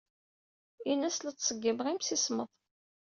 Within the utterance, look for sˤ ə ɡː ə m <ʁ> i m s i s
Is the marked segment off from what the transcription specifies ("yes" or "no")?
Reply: no